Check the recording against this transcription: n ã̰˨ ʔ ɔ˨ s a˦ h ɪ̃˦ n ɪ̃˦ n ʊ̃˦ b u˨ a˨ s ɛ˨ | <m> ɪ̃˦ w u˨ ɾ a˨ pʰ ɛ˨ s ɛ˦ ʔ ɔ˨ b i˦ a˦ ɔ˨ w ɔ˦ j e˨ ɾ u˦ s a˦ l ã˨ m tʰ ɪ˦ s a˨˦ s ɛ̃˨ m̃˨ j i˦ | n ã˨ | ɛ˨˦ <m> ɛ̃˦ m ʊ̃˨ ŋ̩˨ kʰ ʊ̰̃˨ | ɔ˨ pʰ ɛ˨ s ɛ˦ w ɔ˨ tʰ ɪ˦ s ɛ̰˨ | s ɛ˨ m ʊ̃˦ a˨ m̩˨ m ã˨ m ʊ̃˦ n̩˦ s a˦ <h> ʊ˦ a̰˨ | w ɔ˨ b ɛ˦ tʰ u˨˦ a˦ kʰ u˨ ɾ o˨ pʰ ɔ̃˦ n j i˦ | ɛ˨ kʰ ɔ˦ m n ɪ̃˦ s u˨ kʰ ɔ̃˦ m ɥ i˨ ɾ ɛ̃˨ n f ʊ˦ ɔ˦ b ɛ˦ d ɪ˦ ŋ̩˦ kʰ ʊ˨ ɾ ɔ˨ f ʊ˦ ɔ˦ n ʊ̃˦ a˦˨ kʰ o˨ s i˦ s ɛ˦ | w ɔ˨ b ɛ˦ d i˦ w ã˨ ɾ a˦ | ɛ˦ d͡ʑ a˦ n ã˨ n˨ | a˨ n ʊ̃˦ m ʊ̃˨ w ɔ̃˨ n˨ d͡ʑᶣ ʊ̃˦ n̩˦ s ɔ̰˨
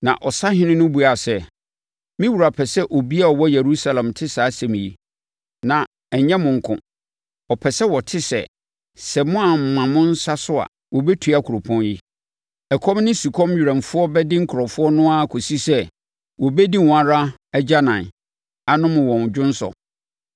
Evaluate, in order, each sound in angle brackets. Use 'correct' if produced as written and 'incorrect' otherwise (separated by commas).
correct, incorrect, incorrect